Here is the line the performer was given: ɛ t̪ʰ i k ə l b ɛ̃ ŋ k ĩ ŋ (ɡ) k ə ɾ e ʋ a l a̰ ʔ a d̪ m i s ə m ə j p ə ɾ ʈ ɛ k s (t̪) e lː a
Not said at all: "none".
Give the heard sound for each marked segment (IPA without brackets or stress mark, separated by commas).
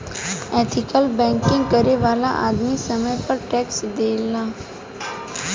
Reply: ɡ, d̪